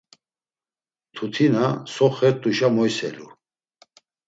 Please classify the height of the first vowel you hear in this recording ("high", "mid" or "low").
high